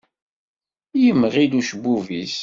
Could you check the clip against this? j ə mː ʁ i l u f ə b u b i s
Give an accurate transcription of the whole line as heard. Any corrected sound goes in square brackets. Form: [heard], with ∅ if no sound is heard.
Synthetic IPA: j ə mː ʁ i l u [ʃ] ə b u [v] i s